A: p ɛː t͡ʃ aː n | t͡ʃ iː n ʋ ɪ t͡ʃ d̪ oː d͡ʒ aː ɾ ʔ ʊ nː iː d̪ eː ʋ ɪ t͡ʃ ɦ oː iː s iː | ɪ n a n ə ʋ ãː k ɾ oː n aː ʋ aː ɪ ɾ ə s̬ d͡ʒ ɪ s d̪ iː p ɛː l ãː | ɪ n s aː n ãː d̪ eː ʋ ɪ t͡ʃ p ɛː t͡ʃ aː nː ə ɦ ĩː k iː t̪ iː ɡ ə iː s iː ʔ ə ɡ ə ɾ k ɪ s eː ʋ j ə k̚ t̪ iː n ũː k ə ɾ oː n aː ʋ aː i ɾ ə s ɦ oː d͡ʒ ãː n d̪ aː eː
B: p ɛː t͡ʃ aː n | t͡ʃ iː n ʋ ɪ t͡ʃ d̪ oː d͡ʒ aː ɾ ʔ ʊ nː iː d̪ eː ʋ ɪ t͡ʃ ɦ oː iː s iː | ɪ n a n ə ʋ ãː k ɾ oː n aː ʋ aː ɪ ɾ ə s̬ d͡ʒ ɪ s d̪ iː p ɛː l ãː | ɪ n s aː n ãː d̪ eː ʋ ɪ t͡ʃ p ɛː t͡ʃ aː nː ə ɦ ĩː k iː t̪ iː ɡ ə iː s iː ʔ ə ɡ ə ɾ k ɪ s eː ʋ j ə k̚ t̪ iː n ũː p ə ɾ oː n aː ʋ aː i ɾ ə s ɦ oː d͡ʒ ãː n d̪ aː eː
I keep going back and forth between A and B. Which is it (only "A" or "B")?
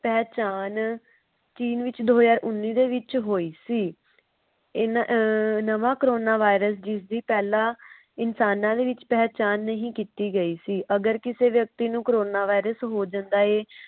A